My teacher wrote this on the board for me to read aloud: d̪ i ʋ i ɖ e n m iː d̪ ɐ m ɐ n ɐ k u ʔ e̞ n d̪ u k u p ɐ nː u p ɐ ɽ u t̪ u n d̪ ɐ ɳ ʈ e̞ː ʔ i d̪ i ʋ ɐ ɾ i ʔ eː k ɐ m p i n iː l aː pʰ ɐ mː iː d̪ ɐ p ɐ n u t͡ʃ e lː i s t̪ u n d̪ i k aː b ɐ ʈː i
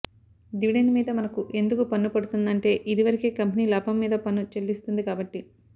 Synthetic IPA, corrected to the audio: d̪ i ʋ i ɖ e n m iː d̪ ɐ m ɐ n ɐ k u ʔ e̞ n d̪ u k u p ɐ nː u p ɐ ɽ u t̪ u n d̪ ɐ ɳ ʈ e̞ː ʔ i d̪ i ʋ ɐ ɾ i k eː k ɐ m p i n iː l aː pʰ ɐ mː iː d̪ ɐ p ɐ n u t͡ʃ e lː i s t̪ u n d̪ i k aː b ɐ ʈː i